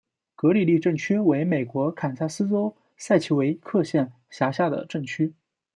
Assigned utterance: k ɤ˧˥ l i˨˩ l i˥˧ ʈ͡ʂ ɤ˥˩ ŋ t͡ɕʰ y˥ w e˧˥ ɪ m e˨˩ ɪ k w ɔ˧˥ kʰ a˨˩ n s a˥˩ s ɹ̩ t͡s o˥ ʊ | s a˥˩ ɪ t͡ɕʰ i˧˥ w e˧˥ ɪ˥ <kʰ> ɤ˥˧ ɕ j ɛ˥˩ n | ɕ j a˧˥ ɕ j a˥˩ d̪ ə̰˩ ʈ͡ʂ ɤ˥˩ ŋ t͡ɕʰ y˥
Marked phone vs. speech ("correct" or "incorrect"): correct